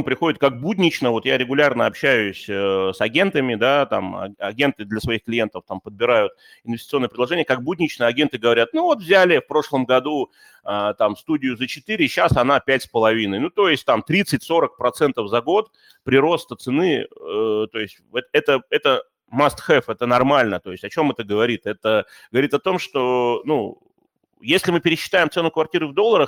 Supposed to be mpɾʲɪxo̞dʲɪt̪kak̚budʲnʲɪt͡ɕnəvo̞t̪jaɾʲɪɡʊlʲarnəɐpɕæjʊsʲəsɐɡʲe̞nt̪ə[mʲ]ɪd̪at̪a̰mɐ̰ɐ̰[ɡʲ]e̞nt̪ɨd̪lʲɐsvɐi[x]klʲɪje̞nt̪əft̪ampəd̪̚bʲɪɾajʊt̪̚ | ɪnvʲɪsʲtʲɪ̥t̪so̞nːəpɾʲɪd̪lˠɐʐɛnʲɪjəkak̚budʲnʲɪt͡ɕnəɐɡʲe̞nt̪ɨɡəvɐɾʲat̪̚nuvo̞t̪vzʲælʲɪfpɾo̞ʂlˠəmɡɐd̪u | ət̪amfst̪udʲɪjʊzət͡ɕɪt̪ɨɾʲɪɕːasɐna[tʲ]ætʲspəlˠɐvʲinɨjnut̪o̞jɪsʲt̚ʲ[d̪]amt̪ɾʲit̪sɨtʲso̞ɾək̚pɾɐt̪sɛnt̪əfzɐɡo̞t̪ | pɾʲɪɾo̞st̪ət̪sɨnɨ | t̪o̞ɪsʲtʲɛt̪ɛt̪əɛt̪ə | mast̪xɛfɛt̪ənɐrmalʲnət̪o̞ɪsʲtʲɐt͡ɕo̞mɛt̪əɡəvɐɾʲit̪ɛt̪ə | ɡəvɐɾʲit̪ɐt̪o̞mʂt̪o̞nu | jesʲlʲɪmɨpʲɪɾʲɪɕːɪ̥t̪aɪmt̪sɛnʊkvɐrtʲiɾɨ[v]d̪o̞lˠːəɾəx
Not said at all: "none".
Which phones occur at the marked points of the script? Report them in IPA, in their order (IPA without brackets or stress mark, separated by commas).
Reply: mʲ, ɡʲ, x, pʲ, t̪, v